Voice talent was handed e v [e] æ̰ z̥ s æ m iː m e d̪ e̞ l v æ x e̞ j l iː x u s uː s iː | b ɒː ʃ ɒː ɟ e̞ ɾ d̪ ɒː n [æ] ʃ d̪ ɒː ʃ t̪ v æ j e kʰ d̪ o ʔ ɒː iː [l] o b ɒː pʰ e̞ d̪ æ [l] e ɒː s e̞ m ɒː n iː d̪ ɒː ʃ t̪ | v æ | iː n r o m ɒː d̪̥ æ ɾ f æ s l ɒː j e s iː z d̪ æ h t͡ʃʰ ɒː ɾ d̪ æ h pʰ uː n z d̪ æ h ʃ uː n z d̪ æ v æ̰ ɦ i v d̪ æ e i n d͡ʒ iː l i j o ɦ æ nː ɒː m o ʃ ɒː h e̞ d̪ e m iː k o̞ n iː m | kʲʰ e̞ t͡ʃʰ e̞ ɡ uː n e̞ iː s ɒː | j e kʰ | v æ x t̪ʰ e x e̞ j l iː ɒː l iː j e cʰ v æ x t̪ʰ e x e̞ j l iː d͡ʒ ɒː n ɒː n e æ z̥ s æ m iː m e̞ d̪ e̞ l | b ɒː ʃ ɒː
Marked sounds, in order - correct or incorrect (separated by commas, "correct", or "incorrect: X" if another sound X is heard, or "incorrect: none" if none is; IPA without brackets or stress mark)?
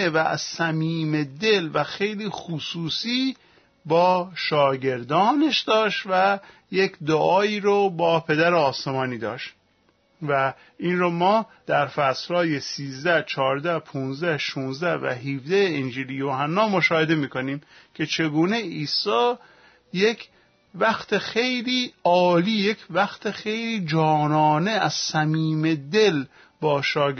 incorrect: æ, incorrect: e, incorrect: ɾ, incorrect: ɾ